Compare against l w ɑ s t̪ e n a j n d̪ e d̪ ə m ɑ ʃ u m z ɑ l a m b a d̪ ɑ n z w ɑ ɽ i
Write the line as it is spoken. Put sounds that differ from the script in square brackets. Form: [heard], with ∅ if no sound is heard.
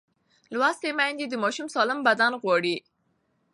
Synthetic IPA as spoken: l w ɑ s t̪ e [m] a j n d̪ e d̪ ə m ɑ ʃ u m [s] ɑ l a m b a d̪ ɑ n [ɣ] w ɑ ɽ i